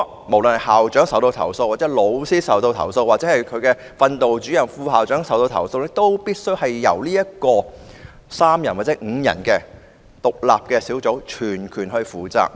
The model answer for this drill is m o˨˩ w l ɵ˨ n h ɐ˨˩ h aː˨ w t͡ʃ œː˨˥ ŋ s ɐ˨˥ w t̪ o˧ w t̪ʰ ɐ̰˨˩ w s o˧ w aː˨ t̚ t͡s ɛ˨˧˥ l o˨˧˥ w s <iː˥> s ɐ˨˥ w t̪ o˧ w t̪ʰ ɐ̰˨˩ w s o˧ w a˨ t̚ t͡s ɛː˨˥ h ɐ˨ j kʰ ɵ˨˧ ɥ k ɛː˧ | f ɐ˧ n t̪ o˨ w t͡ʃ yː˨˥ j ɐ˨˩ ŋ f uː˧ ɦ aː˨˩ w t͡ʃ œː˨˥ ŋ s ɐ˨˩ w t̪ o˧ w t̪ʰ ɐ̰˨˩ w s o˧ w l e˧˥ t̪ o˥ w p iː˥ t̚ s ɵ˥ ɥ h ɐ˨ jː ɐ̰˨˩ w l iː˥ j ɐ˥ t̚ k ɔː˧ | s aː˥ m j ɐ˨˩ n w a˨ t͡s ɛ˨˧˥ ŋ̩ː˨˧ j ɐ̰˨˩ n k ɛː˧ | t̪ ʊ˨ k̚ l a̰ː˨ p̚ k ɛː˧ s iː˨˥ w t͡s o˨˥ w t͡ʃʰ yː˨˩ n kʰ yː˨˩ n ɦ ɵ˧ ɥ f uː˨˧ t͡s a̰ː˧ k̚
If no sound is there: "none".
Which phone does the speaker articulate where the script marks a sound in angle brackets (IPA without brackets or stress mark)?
iː˥